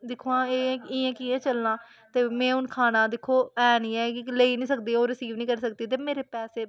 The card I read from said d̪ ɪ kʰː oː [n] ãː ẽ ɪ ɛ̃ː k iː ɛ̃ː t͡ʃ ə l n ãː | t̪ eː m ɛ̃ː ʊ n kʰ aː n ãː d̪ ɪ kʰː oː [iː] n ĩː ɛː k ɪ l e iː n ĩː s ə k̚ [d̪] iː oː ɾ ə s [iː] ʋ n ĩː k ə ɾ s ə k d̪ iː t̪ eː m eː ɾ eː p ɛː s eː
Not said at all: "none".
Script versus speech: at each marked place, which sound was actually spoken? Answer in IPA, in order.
none, ɛː, d̪, iː

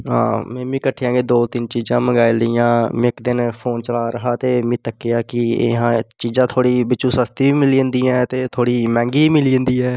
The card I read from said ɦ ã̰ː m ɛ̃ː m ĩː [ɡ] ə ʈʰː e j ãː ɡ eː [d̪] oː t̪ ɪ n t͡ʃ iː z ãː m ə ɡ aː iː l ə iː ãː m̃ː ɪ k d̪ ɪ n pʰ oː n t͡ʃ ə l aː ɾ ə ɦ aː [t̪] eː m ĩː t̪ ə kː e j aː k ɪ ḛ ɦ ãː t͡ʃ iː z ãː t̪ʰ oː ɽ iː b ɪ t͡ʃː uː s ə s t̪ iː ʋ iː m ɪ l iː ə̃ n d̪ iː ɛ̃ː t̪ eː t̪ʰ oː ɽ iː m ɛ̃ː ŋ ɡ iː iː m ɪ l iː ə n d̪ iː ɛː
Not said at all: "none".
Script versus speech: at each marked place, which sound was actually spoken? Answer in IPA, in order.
k, d̪, t̪

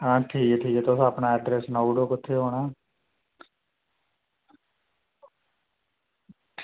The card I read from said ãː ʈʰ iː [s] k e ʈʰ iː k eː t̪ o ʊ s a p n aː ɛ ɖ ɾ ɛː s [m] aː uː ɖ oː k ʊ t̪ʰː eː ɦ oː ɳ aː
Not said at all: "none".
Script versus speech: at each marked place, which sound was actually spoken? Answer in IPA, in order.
none, n

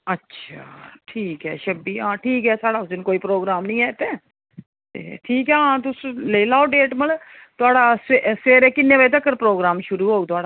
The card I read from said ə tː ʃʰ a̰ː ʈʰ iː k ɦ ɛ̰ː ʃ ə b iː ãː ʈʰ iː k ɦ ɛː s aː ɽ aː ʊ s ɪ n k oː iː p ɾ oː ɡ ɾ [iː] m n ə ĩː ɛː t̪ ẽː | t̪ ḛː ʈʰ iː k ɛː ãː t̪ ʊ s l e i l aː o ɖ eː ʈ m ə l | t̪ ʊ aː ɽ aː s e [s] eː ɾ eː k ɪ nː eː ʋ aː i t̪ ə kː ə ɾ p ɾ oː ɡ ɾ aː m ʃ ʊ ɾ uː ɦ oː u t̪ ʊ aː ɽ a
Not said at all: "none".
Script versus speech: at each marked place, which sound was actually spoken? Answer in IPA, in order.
aː, s

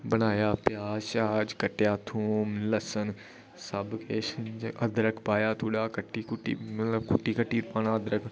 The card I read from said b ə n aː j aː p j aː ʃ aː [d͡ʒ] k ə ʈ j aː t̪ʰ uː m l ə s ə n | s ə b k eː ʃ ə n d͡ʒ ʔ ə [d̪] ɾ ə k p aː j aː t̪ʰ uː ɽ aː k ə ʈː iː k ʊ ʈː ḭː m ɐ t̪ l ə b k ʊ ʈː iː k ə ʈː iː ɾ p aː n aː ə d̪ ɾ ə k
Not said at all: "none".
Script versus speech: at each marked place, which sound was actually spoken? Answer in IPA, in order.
d͡ʒ, d̪

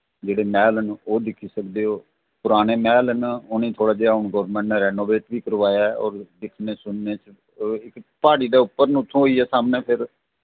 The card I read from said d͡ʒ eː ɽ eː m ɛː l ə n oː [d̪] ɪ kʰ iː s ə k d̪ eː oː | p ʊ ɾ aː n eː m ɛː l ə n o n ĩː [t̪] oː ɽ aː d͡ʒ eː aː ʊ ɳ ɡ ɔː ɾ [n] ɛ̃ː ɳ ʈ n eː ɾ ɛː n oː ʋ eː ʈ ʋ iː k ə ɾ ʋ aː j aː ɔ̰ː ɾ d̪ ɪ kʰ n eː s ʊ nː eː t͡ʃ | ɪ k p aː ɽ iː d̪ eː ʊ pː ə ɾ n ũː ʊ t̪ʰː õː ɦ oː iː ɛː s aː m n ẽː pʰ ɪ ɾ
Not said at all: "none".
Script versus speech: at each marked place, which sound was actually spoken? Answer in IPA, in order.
d̪, t̪ʰ, m

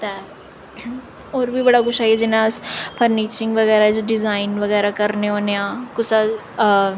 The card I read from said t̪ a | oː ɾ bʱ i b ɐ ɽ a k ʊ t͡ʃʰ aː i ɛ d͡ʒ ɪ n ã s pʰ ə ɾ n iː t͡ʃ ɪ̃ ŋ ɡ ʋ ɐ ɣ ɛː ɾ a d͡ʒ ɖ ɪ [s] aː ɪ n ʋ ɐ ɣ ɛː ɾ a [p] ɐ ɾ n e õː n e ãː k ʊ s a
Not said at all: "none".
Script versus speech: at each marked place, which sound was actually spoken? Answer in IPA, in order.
z, k

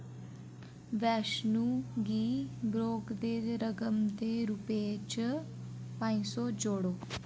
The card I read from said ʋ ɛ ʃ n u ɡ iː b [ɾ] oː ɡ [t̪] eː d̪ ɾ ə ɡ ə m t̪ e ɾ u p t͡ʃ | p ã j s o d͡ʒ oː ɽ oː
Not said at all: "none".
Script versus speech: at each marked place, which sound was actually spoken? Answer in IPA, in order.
ɾ, d̪

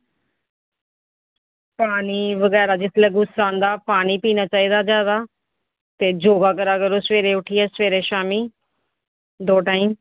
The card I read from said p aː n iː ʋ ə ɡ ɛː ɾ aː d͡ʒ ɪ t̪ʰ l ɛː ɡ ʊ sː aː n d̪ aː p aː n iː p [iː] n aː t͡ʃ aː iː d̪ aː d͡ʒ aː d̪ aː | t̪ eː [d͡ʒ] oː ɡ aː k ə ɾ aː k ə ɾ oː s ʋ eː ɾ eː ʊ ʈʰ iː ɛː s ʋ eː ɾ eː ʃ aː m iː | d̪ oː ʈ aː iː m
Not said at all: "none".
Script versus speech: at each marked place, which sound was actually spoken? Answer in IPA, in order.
iː, d͡ʒ

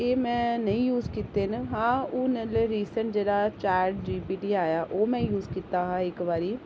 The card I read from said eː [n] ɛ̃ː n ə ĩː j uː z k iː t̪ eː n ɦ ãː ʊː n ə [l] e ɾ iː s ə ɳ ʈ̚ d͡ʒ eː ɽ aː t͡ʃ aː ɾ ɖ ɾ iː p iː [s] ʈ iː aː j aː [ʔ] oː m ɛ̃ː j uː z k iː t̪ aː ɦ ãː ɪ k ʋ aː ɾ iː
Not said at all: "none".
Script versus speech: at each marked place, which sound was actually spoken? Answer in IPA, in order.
m, l, none, ʔ

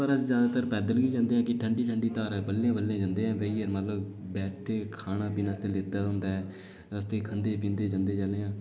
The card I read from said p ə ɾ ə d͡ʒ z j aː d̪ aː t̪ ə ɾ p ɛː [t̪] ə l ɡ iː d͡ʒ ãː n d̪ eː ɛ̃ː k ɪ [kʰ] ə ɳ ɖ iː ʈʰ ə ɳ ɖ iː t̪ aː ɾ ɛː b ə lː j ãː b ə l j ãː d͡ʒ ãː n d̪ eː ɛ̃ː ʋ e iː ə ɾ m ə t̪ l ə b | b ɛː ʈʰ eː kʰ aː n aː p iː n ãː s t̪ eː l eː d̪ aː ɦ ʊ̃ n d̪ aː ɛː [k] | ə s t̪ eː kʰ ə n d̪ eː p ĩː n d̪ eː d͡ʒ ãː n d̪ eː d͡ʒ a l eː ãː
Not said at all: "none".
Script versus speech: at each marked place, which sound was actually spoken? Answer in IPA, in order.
d̪, ʈʰ, none

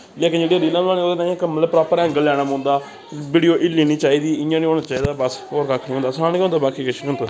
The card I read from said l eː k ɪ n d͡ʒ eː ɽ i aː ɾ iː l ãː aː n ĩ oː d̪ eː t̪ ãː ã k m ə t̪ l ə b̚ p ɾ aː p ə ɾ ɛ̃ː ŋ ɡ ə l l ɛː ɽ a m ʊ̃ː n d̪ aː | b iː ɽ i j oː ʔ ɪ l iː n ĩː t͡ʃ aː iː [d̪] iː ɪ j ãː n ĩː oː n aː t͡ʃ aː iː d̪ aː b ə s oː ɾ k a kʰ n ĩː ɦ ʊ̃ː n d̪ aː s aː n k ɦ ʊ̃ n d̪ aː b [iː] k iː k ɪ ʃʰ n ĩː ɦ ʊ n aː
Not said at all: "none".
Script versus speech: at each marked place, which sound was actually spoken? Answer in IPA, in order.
d̪, aː

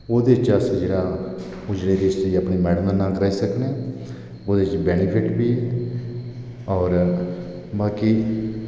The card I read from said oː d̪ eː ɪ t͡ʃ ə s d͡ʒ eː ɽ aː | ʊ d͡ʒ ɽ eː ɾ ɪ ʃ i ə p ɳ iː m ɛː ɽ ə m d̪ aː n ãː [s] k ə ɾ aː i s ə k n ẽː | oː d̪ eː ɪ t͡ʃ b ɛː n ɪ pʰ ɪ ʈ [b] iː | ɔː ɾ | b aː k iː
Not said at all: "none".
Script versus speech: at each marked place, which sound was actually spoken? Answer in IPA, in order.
none, b

